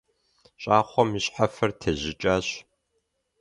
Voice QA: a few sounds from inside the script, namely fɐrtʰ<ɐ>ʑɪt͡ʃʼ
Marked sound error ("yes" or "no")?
no